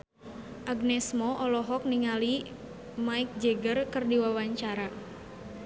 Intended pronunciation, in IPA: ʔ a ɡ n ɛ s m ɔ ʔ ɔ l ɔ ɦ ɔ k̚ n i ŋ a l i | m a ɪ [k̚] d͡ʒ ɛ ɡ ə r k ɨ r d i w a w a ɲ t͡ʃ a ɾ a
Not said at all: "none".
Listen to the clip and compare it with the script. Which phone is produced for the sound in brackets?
k̚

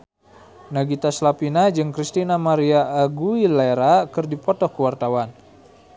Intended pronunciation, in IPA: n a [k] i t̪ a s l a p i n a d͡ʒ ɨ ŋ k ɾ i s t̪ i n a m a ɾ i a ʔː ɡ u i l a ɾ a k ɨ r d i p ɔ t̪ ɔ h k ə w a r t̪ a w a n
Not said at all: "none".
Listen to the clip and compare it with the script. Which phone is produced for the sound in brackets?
ɡ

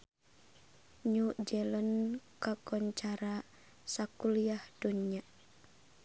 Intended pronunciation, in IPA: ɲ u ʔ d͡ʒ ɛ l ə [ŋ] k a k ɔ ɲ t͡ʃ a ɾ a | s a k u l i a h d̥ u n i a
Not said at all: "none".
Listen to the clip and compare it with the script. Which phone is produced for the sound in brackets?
n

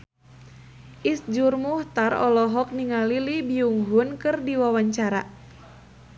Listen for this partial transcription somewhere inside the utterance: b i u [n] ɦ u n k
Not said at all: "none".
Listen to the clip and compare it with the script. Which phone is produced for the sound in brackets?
ŋ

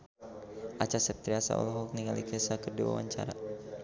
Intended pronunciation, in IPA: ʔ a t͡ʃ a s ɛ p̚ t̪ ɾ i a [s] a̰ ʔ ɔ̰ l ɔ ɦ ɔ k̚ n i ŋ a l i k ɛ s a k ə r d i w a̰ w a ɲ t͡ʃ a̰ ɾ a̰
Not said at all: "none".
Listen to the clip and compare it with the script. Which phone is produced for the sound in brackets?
s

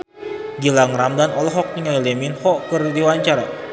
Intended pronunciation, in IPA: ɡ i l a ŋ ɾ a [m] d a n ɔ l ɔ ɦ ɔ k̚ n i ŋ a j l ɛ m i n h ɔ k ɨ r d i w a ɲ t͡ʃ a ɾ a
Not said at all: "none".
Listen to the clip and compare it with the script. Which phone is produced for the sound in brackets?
m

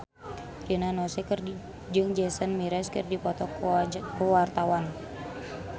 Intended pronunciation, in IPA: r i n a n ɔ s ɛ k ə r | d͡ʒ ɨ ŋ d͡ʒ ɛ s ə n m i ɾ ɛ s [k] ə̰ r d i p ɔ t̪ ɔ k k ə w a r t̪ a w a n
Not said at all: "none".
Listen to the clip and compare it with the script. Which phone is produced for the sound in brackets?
k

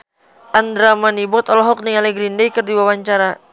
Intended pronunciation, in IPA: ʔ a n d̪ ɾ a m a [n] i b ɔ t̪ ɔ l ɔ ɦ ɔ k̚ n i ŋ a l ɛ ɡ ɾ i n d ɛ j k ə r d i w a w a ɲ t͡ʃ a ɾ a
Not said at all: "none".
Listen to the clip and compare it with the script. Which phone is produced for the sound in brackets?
n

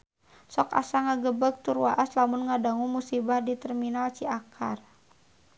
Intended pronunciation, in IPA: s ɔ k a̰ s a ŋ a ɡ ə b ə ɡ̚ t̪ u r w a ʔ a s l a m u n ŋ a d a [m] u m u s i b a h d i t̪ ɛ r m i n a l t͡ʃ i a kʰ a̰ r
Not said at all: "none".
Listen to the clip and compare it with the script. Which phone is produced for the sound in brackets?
ŋ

